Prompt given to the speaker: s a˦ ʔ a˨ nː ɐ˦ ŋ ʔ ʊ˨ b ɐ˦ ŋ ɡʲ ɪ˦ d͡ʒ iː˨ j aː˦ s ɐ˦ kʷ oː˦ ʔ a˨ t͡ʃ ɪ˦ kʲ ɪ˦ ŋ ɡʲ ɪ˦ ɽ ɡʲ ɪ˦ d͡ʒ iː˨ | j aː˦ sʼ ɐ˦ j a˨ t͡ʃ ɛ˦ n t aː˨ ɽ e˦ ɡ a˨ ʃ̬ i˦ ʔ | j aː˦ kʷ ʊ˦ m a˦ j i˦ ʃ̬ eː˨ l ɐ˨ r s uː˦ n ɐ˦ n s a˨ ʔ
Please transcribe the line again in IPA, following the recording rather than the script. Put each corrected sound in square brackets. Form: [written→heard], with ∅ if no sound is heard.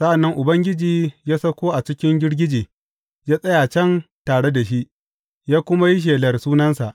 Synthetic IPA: s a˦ ʔ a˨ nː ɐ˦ ŋ ʔ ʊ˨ b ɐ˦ ŋ ɡʲ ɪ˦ d͡ʒ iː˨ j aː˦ s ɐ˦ kʷ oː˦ ʔ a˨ t͡ʃ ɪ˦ kʲ ɪ˦ ŋ ɡʲ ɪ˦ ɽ ɡʲ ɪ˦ d͡ʒ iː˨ | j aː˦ sʼ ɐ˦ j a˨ t͡ʃ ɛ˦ n t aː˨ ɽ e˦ [ɡ→d] a˨ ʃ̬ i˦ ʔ | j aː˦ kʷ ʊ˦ m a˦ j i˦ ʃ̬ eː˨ l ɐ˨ r s uː˦ n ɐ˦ n s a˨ ʔ